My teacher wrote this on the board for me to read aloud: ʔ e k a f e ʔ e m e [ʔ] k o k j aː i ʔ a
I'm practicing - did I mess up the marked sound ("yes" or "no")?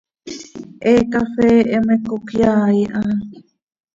yes